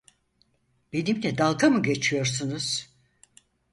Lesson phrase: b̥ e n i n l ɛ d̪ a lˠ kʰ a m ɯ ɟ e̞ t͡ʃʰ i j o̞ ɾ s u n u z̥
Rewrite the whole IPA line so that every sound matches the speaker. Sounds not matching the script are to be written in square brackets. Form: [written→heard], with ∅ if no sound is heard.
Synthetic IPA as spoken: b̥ e n i [n→m] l ɛ d̪ a lˠ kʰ a m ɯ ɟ e̞ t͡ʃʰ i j o̞ ɾ s u n u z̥